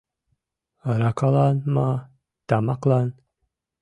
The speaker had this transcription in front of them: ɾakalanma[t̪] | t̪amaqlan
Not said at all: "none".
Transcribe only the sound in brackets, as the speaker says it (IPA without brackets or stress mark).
none